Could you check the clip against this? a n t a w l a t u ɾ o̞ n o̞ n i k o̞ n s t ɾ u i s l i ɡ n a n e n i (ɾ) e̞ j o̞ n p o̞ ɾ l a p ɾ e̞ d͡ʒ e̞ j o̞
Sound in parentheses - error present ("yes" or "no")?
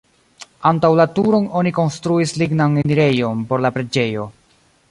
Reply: no